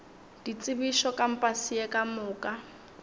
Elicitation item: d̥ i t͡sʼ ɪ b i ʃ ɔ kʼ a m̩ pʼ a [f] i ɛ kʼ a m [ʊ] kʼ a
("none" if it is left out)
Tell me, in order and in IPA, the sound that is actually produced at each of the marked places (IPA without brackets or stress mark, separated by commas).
s, ʊː